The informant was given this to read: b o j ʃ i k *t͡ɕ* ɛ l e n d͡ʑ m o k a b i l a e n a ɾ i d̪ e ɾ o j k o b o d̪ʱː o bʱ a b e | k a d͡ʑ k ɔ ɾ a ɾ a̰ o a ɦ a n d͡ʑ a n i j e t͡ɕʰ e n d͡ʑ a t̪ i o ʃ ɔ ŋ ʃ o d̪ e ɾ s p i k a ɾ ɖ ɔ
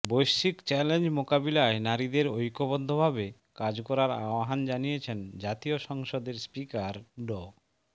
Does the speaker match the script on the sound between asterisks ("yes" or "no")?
yes